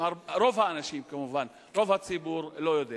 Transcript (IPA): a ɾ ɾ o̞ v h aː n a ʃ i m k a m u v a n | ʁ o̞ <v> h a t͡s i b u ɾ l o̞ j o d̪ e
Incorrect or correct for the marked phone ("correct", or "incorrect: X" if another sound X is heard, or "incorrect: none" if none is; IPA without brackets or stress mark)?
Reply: correct